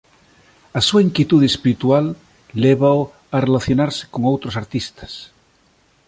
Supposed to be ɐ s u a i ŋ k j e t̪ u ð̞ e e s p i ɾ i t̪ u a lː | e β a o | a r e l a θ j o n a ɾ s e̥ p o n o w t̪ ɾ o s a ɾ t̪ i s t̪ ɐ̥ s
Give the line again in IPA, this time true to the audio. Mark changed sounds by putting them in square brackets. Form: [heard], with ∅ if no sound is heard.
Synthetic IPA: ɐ s u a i ŋ k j e t̪ u ð̞ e e s p i ɾ i t̪ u a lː | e β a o | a r e l a θ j o n a ɾ s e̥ [k] o [ŋ] o w t̪ ɾ o s a ɾ t̪ i s t̪ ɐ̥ s